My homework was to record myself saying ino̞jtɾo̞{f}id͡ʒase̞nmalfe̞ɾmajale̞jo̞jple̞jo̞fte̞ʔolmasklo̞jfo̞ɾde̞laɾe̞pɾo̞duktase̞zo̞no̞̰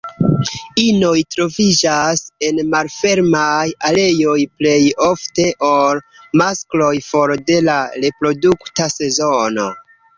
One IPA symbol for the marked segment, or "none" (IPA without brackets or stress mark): v